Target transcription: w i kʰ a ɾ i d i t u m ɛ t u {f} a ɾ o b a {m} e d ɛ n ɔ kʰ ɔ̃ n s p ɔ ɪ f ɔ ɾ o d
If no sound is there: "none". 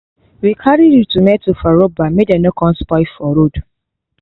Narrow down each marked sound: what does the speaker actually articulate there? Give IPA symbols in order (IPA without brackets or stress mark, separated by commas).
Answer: f, m